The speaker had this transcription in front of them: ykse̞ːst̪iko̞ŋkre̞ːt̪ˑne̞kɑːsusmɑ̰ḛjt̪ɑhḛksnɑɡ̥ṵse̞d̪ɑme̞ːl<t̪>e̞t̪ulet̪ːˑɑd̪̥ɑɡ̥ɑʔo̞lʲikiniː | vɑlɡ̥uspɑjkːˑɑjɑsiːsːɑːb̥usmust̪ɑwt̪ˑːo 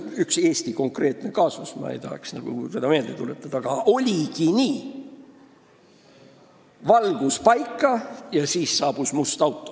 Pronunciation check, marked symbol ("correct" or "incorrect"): incorrect